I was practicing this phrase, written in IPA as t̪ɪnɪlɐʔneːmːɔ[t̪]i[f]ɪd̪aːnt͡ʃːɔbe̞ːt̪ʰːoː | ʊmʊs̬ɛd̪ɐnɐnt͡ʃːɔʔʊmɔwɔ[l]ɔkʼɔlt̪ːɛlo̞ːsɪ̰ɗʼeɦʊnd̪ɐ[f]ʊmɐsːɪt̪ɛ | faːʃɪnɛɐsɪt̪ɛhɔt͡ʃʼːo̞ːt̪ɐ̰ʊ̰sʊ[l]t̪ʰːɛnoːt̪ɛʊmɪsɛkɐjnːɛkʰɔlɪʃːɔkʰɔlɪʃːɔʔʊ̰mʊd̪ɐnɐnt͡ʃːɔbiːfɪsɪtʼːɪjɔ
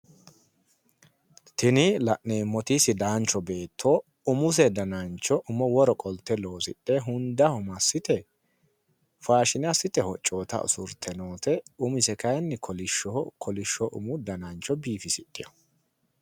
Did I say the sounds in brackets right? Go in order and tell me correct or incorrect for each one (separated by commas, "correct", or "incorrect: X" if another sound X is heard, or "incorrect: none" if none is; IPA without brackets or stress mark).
correct, incorrect: s, incorrect: ɾ, incorrect: h, incorrect: ɾ